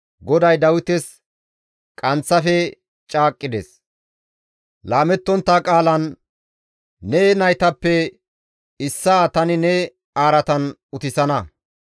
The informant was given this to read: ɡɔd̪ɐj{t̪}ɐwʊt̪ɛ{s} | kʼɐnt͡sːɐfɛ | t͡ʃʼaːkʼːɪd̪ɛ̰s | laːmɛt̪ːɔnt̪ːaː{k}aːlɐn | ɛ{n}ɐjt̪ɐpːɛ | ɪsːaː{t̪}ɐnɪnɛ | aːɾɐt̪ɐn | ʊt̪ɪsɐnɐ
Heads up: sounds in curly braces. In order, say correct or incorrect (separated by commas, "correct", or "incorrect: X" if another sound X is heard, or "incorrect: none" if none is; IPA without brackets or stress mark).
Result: incorrect: d̪, correct, incorrect: kʼ, correct, correct